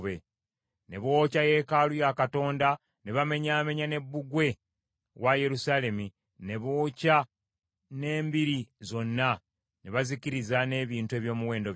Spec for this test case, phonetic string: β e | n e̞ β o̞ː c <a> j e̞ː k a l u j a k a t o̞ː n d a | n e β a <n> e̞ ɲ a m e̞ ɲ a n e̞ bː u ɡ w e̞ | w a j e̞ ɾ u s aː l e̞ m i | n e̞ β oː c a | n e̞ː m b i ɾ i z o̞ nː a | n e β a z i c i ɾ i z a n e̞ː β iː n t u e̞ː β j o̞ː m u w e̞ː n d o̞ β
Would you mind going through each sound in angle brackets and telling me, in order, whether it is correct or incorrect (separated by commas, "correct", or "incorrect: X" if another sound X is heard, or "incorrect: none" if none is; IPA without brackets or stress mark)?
correct, incorrect: m